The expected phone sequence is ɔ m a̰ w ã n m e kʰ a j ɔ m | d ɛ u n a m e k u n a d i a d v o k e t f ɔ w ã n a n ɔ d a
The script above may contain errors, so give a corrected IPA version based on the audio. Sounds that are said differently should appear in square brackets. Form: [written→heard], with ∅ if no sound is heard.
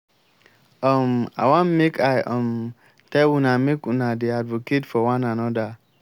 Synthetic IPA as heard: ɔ m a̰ w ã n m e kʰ a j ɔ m | [d→t] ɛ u n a m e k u n a d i a d v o k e t f ɔ w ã n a n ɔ d a

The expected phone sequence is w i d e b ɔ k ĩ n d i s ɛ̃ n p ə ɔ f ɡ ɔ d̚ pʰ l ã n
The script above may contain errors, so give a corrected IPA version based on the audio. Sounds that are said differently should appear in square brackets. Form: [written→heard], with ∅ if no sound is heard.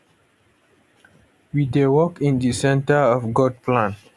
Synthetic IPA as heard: w i d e [b→w] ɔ k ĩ n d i s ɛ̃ n [p→t] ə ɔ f ɡ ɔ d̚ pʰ l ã n

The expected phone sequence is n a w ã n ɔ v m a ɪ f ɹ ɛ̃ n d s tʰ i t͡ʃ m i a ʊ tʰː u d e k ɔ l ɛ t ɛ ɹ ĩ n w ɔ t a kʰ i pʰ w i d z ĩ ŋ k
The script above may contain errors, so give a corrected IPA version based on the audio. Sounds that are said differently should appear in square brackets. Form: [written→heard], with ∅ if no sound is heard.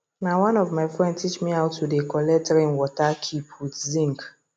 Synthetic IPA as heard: n a w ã n ɔ v m a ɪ f ɹ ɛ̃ n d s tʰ i t͡ʃ m i a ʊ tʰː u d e k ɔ l ɛ t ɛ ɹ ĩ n w ɔ t a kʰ i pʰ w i d z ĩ ŋ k

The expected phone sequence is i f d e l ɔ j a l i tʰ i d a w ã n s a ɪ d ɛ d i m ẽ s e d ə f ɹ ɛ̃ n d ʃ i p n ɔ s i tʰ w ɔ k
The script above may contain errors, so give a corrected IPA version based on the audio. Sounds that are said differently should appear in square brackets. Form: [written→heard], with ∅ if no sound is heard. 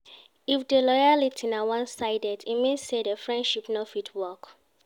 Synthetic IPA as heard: i f d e l ɔ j a l i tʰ i [d→n] a w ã n s a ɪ d ɛ d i m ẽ s e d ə f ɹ ɛ̃ n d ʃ i p n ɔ [s→f] i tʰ w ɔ k

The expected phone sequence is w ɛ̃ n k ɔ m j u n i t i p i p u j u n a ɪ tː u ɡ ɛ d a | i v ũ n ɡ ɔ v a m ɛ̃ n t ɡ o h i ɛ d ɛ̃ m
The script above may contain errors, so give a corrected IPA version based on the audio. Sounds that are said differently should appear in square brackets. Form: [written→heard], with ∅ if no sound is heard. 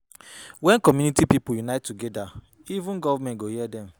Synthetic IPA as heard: w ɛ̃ n k ɔ m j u n i t i p i p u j u n a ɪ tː u ɡ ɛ d a | i v ũ n ɡ ɔ v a m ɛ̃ n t ɡ o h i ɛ d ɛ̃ m

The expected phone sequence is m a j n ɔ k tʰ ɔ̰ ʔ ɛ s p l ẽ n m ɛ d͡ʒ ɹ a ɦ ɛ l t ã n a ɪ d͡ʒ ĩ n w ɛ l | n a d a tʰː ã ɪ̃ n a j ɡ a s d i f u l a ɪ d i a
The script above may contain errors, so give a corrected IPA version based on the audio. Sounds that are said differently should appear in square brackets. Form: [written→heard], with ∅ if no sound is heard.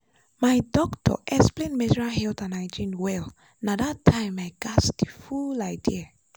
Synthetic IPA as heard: m a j [n→d] ɔ k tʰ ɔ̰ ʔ ɛ s p l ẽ n m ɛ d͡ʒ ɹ a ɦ ɛ l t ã n a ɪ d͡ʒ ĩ n w ɛ l | n a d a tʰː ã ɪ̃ [n→m] a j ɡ a s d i f u l a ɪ d i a

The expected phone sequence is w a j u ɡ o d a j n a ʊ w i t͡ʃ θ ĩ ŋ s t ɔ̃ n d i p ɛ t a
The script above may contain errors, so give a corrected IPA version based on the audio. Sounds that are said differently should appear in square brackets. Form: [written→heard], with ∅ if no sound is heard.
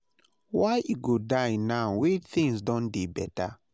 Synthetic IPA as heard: w a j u ɡ o d a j n a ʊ w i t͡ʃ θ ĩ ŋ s [t→d] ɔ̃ n d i [p→b] ɛ t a

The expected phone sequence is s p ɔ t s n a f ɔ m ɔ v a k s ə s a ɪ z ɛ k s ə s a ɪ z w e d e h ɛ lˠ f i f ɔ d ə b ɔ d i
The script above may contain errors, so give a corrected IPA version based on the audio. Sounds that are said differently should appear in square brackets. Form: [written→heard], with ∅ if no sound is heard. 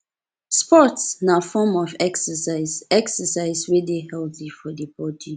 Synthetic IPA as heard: s p ɔ t s n a f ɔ m ɔ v [a→ɛ] k s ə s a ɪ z ɛ k s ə s a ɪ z w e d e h ɛ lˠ [f→θ] i f ɔ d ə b ɔ d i

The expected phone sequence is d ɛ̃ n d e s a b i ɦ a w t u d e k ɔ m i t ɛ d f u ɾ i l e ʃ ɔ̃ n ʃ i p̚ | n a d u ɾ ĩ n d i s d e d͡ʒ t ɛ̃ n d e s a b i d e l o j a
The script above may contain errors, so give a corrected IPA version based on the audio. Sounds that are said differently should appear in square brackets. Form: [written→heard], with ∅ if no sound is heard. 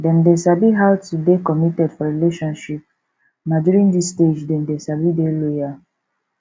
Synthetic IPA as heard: d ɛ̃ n d e s a b i ɦ a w t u d e k ɔ m i t ɛ d f [u→ɔ] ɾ i l e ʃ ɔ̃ n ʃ i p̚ | n a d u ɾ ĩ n d i s [d→t] e d͡ʒ [t→d] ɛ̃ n d e s a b i d e l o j a

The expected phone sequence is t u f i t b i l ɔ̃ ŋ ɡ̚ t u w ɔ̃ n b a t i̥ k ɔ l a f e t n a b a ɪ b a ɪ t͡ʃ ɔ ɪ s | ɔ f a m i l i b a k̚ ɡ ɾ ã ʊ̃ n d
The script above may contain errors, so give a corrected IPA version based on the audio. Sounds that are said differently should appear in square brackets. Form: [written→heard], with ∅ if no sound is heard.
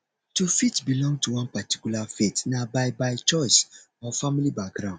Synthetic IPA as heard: t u f i t b i l ɔ̃ ŋ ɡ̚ t u w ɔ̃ n [b→p] a t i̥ k [ɔ→u] l a f e t n a b a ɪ b a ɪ t͡ʃ ɔ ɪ s | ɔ f a m i l i b a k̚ ɡ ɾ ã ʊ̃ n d

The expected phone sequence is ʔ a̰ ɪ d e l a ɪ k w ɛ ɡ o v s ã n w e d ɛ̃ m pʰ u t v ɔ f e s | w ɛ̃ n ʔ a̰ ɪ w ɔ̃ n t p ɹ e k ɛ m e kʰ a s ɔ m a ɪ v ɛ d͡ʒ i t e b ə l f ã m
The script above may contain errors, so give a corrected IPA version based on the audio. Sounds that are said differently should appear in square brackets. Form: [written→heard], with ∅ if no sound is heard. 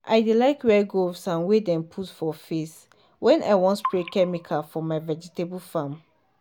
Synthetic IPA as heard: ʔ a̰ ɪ d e l a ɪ k w ɛ ɡ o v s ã n w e d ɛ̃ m pʰ u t [v→f] ɔ f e s | w ɛ̃ n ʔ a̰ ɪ w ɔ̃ n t p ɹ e k ɛ m [e→i] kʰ a [s→f] ɔ m a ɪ v ɛ d͡ʒ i t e b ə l f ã m

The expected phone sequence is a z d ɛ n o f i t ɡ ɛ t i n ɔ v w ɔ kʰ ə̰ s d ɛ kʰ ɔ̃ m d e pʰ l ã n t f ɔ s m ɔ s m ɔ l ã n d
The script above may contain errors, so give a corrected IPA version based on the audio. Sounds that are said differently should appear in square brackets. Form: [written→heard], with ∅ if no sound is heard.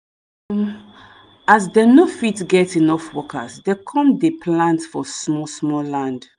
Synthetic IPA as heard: a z d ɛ n o f i t ɡ ɛ t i n ɔ [v→f] w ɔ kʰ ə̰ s d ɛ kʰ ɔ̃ m d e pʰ l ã n t f ɔ s m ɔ s m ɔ l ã n d

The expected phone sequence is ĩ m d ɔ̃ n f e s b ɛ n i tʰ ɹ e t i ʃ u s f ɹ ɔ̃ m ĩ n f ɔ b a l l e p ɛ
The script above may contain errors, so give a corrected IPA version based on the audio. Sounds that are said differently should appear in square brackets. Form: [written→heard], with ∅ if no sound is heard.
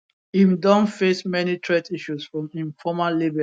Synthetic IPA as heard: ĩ m d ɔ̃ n f e s [b→m] ɛ n i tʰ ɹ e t i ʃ u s f ɹ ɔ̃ m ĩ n f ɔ [b→m] a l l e [p→b] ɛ

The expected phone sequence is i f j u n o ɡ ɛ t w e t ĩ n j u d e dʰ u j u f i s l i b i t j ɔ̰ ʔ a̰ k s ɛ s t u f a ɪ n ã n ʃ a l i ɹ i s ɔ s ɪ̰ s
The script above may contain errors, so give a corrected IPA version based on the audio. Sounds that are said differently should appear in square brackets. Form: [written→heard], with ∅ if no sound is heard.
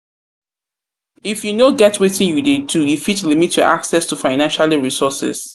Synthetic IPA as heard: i f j u n o ɡ ɛ t w e t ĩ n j u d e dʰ u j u f i [s→t] l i [b→m] i t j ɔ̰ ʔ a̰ k s ɛ s t u f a ɪ n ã n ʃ a l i ɹ i s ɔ s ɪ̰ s

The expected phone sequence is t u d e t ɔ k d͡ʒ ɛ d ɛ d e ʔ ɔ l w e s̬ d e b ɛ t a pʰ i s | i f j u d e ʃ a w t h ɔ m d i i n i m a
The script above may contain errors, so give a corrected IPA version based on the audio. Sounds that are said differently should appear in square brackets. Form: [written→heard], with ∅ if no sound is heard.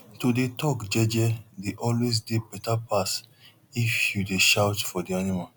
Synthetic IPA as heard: t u d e t ɔ k d͡ʒ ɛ [d→d͡ʒ] ɛ d e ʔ ɔ l w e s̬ d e b ɛ t a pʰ [i→a] s | i f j u d e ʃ a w t [h→f] ɔ [m→∅] d i [i→a] n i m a

